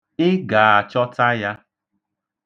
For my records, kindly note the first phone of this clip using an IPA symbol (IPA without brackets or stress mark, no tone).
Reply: ɪ